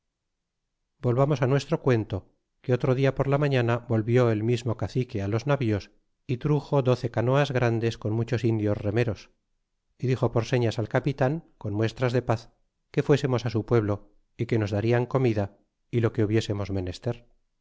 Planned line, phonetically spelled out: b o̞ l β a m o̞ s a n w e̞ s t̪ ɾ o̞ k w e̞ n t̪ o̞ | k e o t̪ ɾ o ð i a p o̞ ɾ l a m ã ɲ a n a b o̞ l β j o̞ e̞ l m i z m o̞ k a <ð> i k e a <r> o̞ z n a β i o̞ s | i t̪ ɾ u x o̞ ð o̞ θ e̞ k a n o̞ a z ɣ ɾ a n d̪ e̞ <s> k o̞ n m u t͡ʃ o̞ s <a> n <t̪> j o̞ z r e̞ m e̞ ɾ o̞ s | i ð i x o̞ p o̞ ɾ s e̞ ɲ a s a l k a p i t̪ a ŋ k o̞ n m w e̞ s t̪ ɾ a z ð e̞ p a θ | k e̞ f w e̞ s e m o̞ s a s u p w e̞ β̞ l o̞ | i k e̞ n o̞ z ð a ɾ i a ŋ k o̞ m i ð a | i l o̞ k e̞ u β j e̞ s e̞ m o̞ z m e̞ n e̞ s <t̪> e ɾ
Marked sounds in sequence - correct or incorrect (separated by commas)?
incorrect, incorrect, correct, incorrect, incorrect, correct